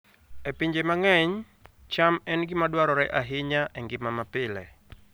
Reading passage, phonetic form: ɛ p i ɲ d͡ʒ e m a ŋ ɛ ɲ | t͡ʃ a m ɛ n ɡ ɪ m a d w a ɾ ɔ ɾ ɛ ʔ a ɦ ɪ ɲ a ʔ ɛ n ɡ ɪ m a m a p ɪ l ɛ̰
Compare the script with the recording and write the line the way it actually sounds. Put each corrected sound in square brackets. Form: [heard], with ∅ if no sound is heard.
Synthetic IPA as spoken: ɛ p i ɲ d͡ʒ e m a ŋ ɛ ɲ | t͡ʃ a m ɛ n ɡ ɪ m a d w a ɾ ɔ ɾ ɛ ʔ a ɦ ɪ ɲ a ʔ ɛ [ŋ] ɡ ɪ m a m a p ɪ l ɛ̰